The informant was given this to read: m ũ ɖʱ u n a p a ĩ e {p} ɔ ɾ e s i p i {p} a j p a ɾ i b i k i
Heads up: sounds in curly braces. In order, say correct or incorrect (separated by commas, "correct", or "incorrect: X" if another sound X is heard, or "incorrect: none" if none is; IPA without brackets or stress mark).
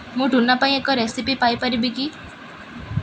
incorrect: k, correct